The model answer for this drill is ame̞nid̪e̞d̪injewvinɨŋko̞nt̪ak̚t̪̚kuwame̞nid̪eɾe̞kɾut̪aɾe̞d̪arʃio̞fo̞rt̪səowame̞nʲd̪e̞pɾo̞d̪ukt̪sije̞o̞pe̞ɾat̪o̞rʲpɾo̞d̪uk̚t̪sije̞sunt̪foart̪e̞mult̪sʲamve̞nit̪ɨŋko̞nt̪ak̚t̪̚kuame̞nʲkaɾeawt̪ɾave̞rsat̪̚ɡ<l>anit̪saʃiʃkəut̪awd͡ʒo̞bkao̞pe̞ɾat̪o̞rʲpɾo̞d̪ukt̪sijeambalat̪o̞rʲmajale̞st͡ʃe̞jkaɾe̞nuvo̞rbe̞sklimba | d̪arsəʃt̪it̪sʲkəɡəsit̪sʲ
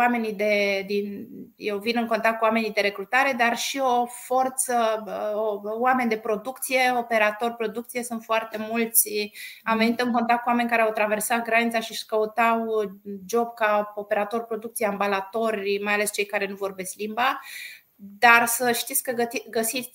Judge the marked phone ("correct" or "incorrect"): incorrect